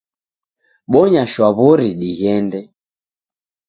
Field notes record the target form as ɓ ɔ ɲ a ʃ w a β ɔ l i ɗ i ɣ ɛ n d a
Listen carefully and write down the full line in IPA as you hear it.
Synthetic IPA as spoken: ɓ ɔ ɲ a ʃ w a β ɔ ɾ i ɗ i ɣ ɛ n d ɛ